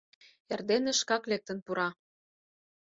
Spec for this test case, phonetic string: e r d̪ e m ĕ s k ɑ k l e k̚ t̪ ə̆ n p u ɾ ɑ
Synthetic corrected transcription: e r d̪ e n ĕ ʃ k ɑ k l e k̚ t̪ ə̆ n p u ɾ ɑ